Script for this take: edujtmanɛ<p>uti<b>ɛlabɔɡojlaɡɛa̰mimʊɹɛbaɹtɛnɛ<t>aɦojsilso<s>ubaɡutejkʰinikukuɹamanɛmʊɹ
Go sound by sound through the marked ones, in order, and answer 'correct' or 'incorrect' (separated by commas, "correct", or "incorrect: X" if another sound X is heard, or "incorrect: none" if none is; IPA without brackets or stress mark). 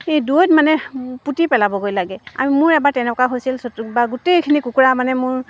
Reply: correct, incorrect: p, incorrect: k, incorrect: t